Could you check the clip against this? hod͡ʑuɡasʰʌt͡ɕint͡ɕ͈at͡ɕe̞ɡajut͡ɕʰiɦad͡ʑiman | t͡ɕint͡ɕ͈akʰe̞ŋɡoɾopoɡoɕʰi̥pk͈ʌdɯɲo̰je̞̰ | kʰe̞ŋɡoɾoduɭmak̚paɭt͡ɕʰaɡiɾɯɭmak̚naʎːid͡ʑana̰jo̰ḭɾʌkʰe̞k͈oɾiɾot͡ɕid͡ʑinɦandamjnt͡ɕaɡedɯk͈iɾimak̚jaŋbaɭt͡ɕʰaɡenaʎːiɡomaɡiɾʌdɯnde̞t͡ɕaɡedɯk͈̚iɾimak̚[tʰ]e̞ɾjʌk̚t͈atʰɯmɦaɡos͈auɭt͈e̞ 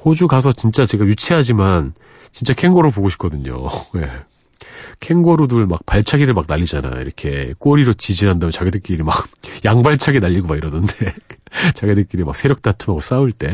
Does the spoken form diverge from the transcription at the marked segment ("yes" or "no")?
yes